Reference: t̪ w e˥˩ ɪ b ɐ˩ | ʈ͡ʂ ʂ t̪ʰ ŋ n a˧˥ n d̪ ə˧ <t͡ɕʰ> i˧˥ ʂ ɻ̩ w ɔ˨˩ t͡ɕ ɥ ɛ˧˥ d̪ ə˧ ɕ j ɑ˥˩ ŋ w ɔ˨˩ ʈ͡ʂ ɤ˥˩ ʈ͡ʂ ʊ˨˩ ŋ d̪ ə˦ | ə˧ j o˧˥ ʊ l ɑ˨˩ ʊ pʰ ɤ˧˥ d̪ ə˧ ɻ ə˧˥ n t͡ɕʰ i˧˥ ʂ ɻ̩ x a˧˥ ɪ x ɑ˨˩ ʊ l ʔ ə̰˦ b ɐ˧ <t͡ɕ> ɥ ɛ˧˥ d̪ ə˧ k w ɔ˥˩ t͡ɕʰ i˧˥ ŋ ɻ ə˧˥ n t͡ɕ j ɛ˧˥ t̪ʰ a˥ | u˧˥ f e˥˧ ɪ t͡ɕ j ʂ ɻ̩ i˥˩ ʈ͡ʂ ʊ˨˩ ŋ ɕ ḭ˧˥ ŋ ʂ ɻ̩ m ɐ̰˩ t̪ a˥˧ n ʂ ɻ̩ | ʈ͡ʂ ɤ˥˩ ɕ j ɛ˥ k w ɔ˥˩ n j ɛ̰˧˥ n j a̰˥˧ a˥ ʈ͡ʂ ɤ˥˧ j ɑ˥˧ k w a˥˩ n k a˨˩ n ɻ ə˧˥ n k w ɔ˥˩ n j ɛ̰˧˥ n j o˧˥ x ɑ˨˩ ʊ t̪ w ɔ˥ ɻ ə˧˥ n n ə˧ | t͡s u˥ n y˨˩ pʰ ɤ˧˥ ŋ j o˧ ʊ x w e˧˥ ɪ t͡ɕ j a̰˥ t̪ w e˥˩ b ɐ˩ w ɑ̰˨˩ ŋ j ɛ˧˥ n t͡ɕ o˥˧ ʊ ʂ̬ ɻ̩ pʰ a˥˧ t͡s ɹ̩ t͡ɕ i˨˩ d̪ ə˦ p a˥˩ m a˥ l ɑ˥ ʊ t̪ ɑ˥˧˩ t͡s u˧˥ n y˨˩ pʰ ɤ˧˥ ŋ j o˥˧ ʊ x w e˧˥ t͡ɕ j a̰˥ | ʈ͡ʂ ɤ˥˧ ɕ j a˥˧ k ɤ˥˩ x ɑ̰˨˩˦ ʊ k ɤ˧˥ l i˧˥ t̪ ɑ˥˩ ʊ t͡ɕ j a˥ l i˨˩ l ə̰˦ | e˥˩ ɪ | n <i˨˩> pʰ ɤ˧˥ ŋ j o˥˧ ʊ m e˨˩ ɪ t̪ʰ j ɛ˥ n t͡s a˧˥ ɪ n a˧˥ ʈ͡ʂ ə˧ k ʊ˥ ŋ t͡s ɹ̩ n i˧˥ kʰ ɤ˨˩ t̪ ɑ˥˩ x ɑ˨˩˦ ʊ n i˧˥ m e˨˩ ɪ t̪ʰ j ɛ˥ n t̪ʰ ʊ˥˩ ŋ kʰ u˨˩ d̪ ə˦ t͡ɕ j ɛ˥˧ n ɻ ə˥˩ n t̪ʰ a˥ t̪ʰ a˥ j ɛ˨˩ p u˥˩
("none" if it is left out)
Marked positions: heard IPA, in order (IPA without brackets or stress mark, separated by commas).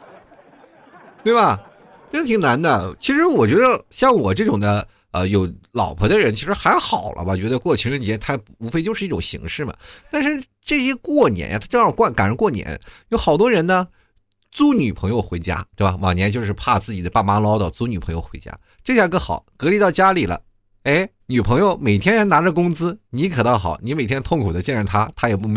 t͡ɕʰ, t͡ɕ, y˨˩